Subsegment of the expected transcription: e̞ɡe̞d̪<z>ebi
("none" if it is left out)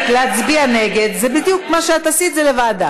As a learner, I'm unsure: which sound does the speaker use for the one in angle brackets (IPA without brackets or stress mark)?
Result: z